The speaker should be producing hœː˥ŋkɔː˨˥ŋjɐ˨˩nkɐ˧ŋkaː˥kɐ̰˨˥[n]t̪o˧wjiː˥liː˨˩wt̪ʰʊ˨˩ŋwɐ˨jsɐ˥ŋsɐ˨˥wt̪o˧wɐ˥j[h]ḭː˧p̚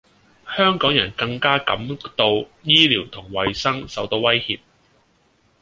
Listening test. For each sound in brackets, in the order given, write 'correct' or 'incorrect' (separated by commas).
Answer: incorrect, correct